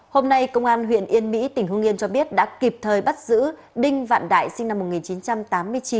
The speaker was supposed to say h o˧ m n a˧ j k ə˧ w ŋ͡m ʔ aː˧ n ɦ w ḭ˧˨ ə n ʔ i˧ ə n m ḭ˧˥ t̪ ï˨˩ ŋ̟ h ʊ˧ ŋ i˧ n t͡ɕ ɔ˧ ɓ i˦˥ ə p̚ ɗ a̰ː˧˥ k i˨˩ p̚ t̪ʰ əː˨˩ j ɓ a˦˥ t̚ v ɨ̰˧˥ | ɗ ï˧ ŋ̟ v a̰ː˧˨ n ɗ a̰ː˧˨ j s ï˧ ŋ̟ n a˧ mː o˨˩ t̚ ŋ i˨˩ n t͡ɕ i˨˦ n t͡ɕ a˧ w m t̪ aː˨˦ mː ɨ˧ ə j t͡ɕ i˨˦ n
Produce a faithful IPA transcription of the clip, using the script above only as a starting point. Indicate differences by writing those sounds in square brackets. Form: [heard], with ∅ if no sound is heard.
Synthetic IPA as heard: h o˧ m n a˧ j k ə˧ w ŋ͡m ʔ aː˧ n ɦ w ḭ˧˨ ə n ʔ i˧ ə n m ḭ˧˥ t̪ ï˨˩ ŋ̟ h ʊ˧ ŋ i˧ n t͡ɕ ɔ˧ ɓ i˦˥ ə [t̚] ɗ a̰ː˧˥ k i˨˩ p̚ t̪ʰ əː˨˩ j ɓ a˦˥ t̚ [z] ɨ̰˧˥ | ɗ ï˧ ŋ̟ v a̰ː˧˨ n ɗ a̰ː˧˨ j s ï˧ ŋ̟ n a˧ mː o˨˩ t̚ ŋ i˨˩ n t͡ɕ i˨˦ n t͡ɕ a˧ [∅] m t̪ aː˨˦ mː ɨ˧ ə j t͡ɕ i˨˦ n